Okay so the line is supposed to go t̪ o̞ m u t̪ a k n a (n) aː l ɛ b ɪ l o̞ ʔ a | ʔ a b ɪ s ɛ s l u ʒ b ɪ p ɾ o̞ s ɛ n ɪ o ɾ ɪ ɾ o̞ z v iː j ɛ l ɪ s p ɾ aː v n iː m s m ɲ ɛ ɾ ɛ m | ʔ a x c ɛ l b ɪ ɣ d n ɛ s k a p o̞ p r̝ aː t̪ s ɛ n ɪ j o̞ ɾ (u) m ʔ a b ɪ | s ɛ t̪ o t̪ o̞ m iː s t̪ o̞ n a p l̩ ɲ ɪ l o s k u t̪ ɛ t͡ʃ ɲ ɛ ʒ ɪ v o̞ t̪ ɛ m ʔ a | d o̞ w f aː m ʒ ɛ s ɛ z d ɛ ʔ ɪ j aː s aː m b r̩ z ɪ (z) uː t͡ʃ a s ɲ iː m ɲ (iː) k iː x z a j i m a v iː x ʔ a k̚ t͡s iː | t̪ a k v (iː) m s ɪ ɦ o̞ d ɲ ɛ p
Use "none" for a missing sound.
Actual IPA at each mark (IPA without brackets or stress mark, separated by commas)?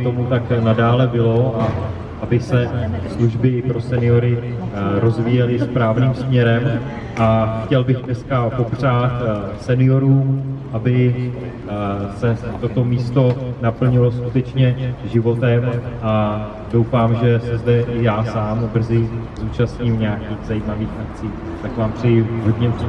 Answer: d, uː, z, aː, aː